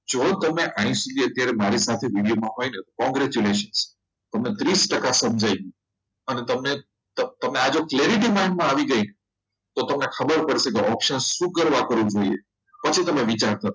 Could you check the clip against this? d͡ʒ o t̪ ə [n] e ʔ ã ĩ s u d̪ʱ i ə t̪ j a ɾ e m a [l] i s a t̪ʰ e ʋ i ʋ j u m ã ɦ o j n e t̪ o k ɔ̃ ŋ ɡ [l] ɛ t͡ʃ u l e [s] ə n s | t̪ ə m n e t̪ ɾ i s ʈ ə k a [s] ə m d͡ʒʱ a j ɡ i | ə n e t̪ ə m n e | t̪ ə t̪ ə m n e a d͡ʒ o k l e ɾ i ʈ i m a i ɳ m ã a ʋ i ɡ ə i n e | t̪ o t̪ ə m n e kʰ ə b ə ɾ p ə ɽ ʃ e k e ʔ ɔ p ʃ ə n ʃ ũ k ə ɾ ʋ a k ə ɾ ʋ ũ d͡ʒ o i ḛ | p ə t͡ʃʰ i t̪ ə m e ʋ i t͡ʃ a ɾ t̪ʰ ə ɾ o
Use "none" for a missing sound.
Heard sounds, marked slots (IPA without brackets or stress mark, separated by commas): m, ɾ, ɾ, ʃ, s